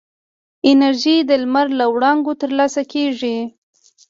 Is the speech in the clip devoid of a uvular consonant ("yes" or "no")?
yes